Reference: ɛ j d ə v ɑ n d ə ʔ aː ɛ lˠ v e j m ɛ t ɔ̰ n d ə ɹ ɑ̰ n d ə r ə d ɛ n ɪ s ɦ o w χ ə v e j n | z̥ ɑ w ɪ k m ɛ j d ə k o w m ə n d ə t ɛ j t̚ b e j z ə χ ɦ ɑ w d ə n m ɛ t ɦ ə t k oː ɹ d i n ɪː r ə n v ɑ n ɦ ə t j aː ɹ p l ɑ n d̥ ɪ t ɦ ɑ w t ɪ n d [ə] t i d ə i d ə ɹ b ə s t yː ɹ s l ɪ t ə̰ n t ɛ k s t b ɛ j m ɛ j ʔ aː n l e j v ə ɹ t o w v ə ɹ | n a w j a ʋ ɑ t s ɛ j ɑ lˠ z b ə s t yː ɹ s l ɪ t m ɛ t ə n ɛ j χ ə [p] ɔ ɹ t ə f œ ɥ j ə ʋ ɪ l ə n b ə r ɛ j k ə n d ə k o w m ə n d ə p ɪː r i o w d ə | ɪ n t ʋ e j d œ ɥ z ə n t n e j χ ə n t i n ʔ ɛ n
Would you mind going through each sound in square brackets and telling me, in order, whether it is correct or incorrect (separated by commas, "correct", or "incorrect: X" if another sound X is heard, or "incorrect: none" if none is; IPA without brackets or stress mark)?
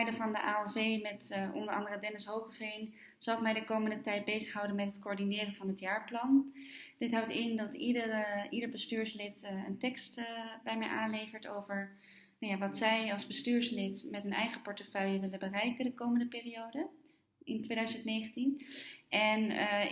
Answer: incorrect: ɑ, correct